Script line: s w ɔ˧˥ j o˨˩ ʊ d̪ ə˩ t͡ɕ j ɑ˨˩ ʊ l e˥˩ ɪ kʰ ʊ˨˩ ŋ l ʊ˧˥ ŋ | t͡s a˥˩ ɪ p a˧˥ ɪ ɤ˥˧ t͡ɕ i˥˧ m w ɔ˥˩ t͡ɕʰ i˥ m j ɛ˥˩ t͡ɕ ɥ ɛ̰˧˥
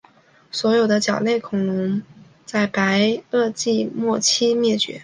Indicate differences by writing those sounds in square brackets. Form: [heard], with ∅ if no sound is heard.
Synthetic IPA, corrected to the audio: s w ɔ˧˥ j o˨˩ ʊ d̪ [ə˦] t͡ɕ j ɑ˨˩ ʊ l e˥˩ ɪ kʰ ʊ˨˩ ŋ l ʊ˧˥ ŋ | t͡s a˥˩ ɪ p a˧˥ ɪ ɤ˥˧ t͡ɕ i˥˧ m w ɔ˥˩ t͡ɕʰ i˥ m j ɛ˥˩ t͡ɕ ɥ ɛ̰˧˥